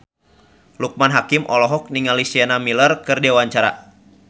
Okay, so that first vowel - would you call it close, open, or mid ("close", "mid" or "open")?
close